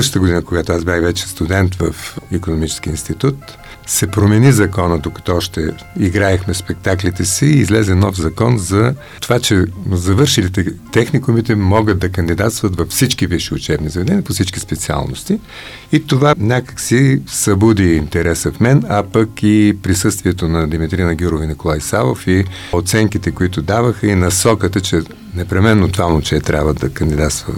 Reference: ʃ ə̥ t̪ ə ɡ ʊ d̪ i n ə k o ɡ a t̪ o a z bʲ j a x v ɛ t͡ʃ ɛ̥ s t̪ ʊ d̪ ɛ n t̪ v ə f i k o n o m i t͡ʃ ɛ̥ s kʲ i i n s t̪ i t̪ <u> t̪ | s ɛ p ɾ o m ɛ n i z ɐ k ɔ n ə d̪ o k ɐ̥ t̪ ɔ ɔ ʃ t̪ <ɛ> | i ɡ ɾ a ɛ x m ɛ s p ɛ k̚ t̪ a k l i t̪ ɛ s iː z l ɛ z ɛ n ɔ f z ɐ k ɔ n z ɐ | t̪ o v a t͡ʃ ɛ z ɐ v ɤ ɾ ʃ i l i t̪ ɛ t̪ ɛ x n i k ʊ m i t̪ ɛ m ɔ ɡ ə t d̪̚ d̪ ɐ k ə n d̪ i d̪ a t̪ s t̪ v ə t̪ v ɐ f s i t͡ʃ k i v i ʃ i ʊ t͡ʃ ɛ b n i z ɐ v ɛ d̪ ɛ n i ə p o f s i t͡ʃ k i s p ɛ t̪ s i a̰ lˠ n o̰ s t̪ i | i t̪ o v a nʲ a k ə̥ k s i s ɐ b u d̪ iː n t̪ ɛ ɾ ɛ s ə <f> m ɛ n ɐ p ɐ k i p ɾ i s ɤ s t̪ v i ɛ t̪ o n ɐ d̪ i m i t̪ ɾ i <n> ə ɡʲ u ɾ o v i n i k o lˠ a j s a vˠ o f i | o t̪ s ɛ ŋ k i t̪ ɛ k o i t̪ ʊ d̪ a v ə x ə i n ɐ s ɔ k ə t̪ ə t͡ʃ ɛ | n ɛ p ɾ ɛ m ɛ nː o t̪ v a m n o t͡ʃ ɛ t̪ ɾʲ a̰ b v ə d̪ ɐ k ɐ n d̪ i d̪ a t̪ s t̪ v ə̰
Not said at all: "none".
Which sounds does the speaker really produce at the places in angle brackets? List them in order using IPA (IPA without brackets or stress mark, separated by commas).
u, ɛ, f, n